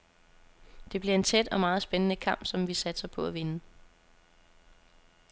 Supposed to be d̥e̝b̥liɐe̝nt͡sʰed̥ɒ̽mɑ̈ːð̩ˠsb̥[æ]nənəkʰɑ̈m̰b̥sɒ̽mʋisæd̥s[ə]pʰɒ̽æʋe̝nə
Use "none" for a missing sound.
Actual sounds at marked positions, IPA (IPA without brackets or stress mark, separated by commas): e, ɐ